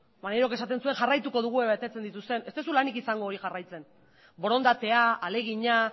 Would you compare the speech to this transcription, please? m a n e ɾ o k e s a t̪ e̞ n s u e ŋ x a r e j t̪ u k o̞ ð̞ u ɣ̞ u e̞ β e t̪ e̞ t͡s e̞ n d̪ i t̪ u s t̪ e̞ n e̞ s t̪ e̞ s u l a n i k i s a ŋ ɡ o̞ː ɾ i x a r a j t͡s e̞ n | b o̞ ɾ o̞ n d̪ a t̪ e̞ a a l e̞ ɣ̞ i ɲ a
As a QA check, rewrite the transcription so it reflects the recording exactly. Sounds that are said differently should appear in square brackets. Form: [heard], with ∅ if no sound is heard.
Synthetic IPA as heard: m a n e ɾ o k e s a t̪ e̞ n s u e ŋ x a r [a] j t̪ u k o̞ ð̞ u ɣ̞ u e̞ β e t̪ e̞ t͡s e̞ n d̪ i t̪ u s t̪ e̞ n e̞ s t̪ e̞ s u l a n i k i s a ŋ ɡ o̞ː ɾ i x a r a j t͡s e̞ n | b o̞ ɾ o̞ n d̪ a t̪ e̞ a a l e̞ ɣ̞ i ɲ a